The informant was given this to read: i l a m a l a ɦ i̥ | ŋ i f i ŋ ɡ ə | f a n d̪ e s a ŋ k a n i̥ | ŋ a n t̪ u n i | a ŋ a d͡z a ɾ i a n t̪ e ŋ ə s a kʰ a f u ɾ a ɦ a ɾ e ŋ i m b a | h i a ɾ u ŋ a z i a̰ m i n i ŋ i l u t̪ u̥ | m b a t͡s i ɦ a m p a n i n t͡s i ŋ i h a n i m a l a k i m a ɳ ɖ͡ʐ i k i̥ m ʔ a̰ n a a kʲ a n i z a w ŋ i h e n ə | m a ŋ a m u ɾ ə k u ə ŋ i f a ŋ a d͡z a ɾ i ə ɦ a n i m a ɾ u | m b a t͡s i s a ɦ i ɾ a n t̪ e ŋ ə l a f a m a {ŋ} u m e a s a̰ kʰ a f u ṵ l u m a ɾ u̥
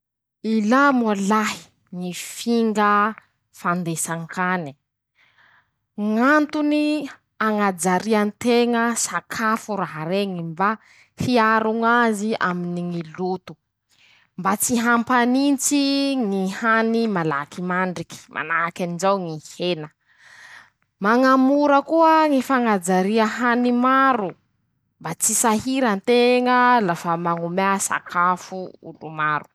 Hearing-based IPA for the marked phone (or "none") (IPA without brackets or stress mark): ŋ